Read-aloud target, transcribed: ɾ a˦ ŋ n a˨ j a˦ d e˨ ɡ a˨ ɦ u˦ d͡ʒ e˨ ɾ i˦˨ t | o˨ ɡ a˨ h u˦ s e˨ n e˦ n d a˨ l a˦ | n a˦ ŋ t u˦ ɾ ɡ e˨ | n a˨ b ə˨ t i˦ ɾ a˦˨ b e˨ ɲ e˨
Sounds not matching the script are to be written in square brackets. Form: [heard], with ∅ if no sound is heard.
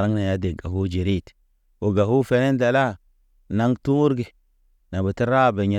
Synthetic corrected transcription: ɾ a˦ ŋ n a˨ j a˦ d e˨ ɡ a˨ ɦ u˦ d͡ʒ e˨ ɾ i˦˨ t | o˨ ɡ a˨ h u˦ [f] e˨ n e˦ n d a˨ l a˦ | n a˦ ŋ t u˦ ɾ ɡ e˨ | n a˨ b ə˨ t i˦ ɾ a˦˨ b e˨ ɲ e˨